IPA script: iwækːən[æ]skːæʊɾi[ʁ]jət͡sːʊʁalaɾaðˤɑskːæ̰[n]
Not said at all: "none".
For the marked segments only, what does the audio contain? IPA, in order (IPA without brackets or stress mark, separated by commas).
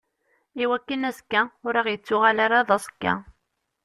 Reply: æ, ʁ, none